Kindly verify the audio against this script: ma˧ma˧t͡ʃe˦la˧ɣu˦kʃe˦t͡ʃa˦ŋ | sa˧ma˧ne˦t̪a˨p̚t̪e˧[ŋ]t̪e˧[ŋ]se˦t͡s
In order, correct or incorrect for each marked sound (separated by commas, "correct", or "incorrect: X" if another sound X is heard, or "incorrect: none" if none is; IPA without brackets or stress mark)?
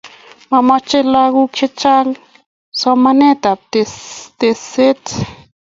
incorrect: none, incorrect: none